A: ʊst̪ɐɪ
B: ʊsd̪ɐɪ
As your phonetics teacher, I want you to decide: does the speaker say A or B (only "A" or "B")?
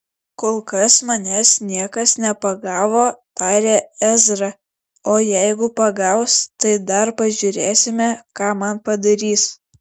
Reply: A